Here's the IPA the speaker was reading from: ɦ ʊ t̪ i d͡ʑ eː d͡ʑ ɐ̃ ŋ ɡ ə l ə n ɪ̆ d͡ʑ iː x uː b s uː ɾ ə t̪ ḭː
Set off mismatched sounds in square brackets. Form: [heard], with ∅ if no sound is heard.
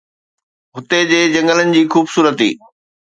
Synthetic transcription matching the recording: ɦ ʊ t̪ [e] d͡ʑ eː d͡ʑ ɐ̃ ŋ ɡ ə l ə n ɪ̆ d͡ʑ iː x uː b s uː ɾ ə t̪ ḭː

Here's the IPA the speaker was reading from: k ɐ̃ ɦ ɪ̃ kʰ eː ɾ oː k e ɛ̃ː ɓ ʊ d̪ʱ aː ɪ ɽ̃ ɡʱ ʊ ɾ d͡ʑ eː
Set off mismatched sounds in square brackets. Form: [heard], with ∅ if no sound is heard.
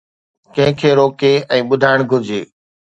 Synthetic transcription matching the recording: k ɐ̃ ɦ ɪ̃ kʰ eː ɾ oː k e ɛ̃ː ɓ ʊ d̪ʱ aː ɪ ɽ̃ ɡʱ ʊ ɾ d͡ʑ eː

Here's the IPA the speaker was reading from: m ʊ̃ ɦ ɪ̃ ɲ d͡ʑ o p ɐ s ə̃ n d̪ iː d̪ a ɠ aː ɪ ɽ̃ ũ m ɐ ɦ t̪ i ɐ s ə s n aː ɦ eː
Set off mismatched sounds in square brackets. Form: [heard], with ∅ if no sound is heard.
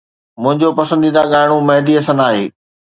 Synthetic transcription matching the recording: m ʊ̃ ɦ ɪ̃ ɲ d͡ʑ o p ɐ s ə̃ n d̪ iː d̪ a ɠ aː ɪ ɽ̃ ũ m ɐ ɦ [d̪] i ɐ s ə [∅] n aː ɦ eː

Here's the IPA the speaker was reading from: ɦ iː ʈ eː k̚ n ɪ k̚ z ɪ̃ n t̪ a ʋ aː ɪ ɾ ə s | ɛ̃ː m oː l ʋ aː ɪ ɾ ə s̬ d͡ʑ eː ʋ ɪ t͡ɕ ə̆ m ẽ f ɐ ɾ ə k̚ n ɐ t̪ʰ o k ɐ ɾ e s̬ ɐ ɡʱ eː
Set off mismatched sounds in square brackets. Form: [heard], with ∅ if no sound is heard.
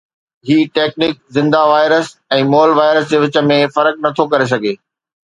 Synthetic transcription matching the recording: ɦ iː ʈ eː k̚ n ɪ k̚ z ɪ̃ n [d̪] a ʋ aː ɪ ɾ ə s | ɛ̃ː m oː l ʋ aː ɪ ɾ ə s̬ d͡ʑ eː ʋ ɪ t͡ɕ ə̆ m ẽ f ɐ ɾ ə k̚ n ɐ t̪ʰ o k ɐ ɾ e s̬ ɐ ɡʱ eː

